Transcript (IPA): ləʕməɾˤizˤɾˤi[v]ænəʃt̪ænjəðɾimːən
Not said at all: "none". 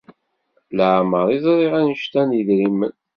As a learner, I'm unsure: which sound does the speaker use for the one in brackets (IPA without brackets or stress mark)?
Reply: ʁ